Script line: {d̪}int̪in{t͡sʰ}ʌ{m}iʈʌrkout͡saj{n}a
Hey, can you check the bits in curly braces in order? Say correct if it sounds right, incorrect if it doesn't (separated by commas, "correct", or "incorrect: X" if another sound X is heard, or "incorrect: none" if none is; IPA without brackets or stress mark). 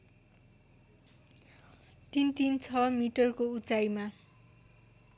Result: incorrect: t̪, correct, correct, incorrect: m